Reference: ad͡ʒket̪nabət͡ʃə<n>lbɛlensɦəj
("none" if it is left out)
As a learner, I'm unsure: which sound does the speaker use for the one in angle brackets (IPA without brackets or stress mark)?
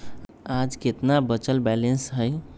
none